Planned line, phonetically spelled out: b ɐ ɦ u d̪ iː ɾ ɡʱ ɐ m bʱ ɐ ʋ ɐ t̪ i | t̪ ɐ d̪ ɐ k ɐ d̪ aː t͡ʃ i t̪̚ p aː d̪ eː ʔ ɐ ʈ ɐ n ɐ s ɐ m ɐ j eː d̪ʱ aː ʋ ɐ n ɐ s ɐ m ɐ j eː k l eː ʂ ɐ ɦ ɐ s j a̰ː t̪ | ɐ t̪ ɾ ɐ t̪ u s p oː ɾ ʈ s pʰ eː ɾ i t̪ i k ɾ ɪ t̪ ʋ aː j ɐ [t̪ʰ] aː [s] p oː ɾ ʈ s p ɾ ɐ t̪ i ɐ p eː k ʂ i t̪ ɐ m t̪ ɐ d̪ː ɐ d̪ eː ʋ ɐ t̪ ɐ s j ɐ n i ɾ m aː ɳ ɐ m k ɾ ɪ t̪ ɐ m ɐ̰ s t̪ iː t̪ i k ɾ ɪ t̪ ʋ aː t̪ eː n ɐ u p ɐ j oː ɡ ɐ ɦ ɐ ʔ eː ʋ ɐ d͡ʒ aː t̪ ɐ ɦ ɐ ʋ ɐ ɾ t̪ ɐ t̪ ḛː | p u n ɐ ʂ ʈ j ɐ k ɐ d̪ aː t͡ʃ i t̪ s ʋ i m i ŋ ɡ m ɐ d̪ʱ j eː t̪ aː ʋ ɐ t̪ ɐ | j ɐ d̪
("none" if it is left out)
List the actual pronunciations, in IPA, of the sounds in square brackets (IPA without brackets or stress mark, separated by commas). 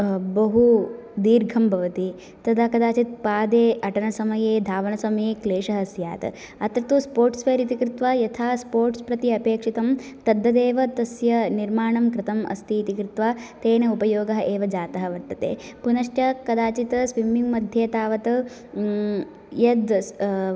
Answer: t̪ʰ, s